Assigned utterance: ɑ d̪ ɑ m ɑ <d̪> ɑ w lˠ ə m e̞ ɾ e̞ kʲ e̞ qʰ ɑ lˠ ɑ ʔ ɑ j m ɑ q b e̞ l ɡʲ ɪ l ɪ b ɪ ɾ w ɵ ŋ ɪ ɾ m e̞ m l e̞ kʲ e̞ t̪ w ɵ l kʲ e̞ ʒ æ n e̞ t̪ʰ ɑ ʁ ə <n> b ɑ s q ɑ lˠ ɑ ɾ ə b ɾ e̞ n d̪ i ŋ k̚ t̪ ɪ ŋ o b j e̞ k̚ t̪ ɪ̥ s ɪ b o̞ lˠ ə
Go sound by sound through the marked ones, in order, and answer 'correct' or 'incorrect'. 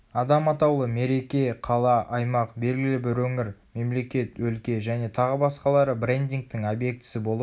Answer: incorrect: t̪, incorrect: none

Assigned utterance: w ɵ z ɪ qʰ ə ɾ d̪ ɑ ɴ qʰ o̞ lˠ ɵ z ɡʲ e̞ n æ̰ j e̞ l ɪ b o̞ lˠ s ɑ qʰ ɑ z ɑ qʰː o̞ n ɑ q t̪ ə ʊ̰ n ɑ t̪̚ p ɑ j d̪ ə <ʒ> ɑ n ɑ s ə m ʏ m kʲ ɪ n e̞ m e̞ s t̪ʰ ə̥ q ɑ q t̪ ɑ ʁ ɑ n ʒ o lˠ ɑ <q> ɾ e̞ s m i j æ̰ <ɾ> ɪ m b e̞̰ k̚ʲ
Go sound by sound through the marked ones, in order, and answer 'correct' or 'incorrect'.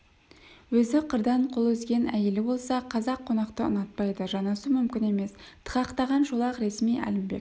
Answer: correct, correct, incorrect: l

